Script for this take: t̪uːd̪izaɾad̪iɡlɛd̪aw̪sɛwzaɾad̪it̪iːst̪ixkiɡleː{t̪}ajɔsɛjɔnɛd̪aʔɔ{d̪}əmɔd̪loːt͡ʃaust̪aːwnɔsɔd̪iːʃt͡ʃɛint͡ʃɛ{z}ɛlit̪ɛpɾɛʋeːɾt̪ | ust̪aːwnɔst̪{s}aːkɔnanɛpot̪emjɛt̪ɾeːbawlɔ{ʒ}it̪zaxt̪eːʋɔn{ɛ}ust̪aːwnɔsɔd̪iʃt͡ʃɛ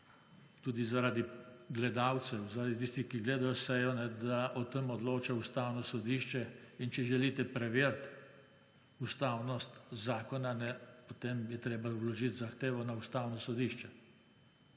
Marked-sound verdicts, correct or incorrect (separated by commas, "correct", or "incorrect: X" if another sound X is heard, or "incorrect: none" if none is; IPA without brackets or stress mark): incorrect: d̪, incorrect: t̪, incorrect: ʒ, incorrect: z, correct, incorrect: a